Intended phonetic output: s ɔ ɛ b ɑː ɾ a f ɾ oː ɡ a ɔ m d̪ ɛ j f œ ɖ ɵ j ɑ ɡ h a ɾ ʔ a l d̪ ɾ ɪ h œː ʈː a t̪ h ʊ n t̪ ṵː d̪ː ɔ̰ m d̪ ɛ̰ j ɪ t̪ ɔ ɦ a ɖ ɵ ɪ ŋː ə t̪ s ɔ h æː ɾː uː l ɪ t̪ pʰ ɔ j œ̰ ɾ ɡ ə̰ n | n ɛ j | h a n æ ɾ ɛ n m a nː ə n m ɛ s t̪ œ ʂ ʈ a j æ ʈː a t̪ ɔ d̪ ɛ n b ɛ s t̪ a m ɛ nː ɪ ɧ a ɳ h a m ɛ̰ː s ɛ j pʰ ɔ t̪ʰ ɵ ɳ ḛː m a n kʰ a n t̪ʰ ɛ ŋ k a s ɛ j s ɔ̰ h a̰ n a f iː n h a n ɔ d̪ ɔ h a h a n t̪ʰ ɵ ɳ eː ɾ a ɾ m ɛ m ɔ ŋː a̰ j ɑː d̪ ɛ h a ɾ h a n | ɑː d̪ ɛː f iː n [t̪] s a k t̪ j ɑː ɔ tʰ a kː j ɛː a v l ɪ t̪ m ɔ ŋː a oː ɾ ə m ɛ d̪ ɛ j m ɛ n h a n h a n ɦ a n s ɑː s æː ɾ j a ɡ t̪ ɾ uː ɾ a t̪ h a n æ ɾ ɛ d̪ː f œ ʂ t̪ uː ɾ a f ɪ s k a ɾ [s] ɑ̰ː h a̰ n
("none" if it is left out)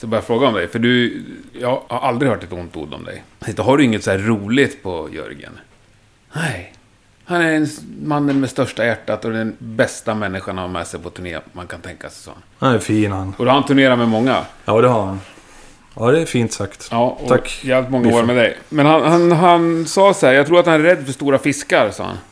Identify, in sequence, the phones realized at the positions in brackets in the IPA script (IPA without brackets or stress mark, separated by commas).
t̪, s